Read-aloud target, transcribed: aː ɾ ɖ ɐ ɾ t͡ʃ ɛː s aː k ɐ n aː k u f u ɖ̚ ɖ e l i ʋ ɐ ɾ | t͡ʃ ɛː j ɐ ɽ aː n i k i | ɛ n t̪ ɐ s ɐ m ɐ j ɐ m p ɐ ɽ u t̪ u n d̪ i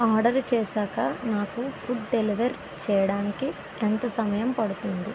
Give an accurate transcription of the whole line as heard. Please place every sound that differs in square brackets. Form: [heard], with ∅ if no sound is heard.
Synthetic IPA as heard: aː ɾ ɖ ɐ ɾ t͡ʃ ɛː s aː k ɐ n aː k u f u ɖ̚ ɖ e l i ʋ ɐ ɾ | t͡ʃ ɛː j ɐ ɽ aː n i k i | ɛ n t̪ ɐ s ɐ m ɐ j ɐ m p ɐ ɽ u t̪ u n d̪ i

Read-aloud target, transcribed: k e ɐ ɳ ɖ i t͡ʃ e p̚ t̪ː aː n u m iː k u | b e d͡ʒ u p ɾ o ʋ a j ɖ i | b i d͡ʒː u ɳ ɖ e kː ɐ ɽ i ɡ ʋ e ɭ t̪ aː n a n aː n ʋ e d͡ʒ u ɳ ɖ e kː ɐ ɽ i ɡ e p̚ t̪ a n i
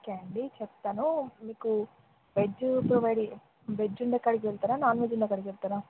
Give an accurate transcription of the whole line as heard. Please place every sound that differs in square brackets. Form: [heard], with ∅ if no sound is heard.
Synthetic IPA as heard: k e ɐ ɳ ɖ i t͡ʃ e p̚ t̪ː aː n u m iː k u | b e d͡ʒ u p ɾ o ʋ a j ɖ i | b [e] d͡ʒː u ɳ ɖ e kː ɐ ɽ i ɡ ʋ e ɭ t̪ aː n a n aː n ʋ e d͡ʒ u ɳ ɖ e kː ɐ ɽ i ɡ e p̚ t̪ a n [a]

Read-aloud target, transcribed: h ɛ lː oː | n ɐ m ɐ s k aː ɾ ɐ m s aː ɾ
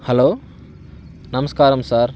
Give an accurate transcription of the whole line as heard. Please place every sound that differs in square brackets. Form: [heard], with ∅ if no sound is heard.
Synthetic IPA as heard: h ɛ [l] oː | n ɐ m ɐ s k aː ɾ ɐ m s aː ɾ

